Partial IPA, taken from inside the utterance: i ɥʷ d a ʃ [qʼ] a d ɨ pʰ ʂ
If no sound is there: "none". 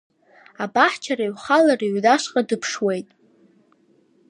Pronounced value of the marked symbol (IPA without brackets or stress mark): qʼ